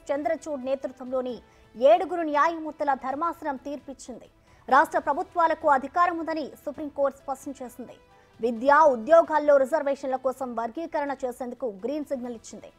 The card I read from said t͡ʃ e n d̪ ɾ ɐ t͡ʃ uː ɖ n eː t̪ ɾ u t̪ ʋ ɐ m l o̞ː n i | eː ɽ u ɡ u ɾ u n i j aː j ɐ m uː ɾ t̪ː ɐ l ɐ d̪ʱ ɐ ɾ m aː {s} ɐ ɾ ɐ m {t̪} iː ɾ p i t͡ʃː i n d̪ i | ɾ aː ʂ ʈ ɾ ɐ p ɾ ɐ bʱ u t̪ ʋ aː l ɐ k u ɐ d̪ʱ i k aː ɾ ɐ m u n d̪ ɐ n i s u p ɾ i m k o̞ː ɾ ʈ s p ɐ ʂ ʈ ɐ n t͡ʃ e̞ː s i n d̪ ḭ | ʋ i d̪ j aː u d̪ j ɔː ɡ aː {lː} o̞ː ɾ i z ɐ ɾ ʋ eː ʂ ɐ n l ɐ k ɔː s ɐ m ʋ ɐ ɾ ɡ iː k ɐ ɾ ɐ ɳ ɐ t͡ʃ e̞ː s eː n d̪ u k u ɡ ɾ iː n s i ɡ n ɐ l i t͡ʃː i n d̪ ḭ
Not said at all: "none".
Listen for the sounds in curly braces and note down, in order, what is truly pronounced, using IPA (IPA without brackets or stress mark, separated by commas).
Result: s, t̪, lː